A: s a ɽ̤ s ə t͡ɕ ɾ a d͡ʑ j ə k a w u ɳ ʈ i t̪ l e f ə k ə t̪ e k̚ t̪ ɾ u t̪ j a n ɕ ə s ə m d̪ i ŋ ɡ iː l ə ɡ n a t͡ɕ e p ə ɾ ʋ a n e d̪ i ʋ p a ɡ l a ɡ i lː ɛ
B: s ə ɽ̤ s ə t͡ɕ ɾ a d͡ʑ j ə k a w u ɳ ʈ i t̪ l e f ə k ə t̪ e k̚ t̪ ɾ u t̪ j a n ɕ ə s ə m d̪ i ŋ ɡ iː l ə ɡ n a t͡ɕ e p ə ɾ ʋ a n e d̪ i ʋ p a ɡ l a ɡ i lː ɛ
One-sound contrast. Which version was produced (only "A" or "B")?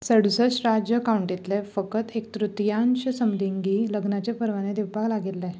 B